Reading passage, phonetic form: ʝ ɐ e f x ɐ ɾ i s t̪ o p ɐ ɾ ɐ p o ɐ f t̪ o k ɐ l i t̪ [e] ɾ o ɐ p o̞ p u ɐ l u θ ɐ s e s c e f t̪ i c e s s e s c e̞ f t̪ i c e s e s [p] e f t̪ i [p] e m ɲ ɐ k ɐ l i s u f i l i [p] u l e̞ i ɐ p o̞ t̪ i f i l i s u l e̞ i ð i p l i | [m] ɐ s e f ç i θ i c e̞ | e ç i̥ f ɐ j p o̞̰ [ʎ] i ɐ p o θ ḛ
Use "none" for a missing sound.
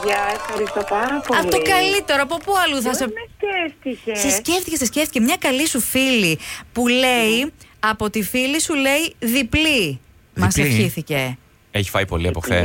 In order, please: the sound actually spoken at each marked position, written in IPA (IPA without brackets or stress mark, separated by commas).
e, c, c, p, m, l